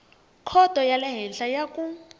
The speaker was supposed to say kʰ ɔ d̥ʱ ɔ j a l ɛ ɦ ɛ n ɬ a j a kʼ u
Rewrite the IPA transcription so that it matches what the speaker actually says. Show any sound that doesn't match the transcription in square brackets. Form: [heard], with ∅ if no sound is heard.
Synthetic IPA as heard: kʰ ɔ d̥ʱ ɔ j a l ɛ ɦ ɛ n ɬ a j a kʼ u